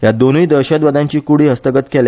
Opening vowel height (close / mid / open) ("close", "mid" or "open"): open